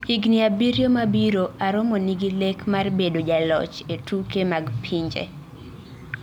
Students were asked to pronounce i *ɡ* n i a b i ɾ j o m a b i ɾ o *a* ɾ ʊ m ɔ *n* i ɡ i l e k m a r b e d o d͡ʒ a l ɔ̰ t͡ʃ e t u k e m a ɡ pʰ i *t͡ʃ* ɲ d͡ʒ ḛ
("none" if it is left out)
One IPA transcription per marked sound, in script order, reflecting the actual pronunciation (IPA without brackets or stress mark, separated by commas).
ɡ, a, n, none